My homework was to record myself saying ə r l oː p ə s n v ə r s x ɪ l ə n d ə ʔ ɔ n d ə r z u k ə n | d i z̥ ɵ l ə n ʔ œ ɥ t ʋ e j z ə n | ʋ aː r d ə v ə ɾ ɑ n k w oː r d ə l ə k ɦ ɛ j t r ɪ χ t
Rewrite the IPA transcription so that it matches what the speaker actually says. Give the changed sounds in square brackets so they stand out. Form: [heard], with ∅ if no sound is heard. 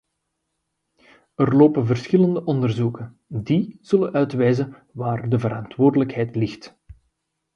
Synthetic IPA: ə r l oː p ə [∅] n v ə r s x ɪ l ə n d ə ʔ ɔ n d ə r z u k ə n | d i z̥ ɵ l ə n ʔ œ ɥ t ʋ [ɛ] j z ə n | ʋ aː r d ə v ə ɾ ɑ n [t] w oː r d ə l ə k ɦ ɛ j t [l] ɪ [x] t